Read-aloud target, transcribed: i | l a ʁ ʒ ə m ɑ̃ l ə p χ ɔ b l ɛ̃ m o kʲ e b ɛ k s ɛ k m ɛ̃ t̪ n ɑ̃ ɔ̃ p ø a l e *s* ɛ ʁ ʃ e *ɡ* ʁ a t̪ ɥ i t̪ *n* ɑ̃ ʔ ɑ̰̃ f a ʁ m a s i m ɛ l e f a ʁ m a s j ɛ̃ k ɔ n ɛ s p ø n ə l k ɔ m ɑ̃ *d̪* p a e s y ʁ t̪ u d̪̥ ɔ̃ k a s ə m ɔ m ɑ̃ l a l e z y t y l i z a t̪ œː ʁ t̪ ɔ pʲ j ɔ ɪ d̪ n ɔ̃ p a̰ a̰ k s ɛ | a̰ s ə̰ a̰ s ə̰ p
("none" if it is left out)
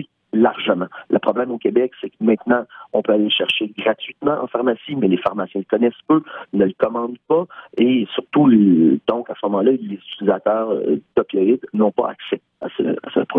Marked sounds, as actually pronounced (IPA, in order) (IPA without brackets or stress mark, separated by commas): ʃ, ɡ, m, d̪